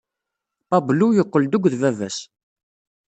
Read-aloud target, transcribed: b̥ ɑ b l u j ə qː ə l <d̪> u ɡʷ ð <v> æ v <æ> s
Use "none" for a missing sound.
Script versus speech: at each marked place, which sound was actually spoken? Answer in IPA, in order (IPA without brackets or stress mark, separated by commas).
d̪, v, æ